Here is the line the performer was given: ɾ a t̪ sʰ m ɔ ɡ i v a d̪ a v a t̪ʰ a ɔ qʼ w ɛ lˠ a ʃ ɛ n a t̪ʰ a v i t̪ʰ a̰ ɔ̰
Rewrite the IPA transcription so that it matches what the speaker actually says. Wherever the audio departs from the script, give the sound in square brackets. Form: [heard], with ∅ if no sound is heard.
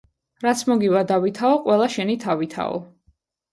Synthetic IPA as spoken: ɾ a t̪ sʰ m ɔ ɡ i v a d̪ a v [i] t̪ʰ a ɔ qʼ w ɛ lˠ a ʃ ɛ n [i] t̪ʰ a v i t̪ʰ a̰ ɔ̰